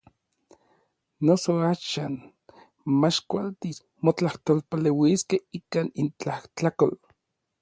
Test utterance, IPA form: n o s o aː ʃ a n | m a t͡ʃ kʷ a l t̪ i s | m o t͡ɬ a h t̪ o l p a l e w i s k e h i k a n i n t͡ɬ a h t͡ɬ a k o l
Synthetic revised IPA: n o s o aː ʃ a n | m a t͡ʃ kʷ a l t̪ i s | m o t͡ɬ a h t̪ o l p a l e w i s k e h i k a n i n t͡ɬ a h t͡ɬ a k o l